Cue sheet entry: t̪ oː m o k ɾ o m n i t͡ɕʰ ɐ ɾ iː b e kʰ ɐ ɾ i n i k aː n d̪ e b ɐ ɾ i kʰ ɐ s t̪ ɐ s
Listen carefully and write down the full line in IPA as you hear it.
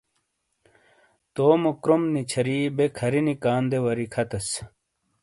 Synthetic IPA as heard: t̪ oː m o k ɾ o m n i t͡ɕʰ ɐ ɾ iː b e kʰ ɐ ɾ i n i k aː n d̪ e w ɐ ɾ i kʰ ɐ t̪ ɐ s